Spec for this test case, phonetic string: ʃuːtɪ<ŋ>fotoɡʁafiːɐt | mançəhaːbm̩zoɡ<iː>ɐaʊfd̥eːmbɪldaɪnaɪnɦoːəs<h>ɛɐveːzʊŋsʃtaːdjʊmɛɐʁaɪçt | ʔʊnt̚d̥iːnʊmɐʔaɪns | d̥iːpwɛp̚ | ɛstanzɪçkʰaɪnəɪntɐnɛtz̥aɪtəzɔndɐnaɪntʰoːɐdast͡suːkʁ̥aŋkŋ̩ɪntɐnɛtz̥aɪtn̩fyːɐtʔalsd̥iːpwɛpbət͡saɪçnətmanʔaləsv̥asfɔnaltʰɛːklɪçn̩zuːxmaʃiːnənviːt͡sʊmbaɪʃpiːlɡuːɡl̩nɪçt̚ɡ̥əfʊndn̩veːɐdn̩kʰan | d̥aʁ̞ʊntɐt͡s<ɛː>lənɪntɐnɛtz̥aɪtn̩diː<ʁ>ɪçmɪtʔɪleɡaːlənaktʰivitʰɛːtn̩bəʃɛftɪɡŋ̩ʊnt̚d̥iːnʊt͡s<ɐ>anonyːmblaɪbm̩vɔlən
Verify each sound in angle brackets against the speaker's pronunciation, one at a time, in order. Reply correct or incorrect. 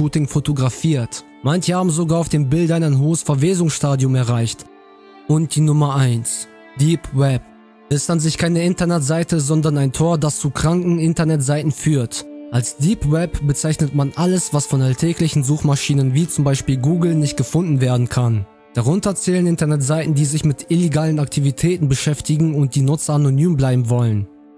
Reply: correct, incorrect, incorrect, correct, incorrect, correct

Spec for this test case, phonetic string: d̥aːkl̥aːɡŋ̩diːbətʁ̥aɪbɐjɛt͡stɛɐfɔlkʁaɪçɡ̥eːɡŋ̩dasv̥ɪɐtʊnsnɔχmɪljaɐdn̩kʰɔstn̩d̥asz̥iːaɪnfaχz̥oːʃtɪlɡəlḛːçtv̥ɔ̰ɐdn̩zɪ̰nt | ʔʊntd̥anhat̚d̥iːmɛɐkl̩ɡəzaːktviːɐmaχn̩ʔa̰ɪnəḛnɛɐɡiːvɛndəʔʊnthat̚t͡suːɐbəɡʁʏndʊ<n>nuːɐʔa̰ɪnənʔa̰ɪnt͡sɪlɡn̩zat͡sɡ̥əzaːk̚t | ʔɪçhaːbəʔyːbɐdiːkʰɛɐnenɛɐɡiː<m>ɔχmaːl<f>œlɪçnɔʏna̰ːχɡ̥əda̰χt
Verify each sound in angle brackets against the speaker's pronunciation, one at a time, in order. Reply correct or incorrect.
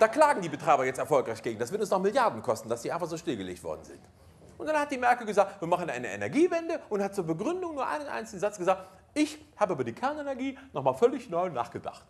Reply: incorrect, incorrect, correct

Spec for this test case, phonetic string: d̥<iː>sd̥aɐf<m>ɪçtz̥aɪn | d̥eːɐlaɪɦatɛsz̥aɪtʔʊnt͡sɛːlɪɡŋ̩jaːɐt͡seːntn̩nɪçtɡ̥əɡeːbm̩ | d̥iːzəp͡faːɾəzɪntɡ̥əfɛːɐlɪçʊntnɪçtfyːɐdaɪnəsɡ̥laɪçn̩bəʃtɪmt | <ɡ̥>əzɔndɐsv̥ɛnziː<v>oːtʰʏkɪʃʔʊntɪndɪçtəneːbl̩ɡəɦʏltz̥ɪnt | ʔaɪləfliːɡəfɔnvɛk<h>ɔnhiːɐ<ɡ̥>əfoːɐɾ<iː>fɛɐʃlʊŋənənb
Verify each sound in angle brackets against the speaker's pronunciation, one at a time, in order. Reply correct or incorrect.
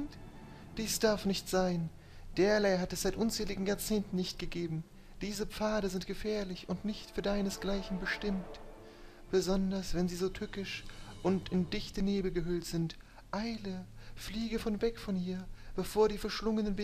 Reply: correct, incorrect, incorrect, incorrect, incorrect, incorrect, correct

